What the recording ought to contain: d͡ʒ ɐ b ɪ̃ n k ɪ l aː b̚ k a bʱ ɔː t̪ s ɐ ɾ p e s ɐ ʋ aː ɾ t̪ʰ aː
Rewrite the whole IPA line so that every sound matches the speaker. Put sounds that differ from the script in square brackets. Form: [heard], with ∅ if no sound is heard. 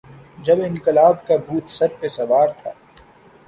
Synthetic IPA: d͡ʒ ɐ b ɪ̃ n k ɪ l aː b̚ k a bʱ [uː] t̪ s ɐ ɾ p e s ɐ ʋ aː ɾ t̪ʰ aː

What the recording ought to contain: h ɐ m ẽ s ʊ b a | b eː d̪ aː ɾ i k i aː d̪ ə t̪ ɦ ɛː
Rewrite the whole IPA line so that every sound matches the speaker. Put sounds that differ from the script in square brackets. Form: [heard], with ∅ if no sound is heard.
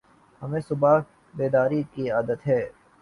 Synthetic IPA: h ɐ m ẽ s ʊ b a | b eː d̪ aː ɾ i k i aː d̪ ə t̪ ɦ ɛː

